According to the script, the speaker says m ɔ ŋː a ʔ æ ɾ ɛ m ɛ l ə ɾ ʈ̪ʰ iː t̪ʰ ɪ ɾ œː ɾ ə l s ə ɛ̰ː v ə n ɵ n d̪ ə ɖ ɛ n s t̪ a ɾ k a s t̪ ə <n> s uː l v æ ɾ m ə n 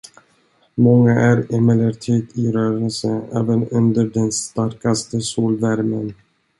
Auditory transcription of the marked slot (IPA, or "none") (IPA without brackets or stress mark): none